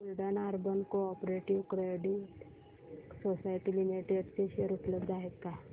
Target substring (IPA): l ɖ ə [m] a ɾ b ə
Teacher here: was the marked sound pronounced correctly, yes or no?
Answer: no